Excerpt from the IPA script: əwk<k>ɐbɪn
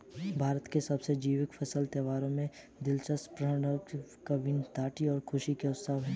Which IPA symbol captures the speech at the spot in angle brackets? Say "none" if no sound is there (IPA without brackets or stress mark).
k